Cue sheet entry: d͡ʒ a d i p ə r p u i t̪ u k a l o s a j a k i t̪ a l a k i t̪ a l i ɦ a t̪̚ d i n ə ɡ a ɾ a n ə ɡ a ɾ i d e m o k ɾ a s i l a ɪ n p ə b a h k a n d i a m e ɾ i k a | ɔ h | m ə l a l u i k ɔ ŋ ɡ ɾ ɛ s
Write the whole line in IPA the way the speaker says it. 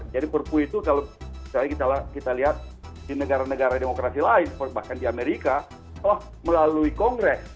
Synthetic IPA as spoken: d͡ʒ a d i p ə r p u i t̪ u k a l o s a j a k i t̪ a l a k i t̪ a l i ɦ a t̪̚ d i n ə ɡ a ɾ a n ə ɡ a ɾ a d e m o k ɾ a s i l a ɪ n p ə b a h k a n d i a m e ɾ i k a | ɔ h | m ə l a l u i k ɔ ŋ ɡ ɾ ɛ s